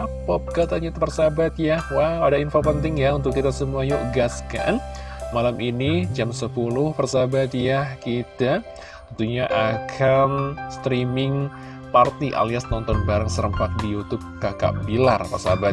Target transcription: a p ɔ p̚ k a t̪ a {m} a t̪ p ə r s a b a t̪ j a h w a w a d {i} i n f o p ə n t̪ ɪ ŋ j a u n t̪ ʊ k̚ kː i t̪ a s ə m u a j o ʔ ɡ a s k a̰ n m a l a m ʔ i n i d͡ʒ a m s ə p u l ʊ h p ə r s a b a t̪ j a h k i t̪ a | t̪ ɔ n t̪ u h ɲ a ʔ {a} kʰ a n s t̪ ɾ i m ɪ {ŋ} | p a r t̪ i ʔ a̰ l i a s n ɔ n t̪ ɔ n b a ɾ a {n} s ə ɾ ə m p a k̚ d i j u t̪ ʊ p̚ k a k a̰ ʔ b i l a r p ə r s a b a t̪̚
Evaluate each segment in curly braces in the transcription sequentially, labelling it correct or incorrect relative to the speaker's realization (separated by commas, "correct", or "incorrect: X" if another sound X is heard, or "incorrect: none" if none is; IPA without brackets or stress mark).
incorrect: ɲ, incorrect: a, correct, correct, incorrect: ŋ